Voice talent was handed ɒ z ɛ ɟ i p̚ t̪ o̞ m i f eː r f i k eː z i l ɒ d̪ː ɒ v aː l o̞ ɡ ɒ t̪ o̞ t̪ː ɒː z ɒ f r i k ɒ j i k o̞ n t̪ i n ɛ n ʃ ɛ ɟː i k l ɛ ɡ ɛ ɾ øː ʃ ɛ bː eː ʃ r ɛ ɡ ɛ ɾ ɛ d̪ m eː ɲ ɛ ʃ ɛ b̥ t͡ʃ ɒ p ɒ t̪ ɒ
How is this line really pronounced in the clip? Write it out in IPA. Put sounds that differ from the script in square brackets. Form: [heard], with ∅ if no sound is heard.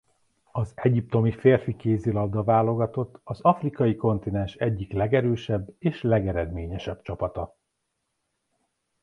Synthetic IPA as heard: ɒ z ɛ ɟ i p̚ t̪ o̞ m i f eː r f i k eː z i l ɒ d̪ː ɒ v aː l o̞ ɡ ɒ t̪ o̞ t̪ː [ɒ] z ɒ f r i k ɒ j i k o̞ n t̪ i n ɛ n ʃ ɛ ɟː i k l ɛ ɡ ɛ ɾ øː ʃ ɛ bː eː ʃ [l] ɛ ɡ ɛ ɾ ɛ d̪ m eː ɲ ɛ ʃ ɛ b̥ t͡ʃ ɒ p ɒ t̪ ɒ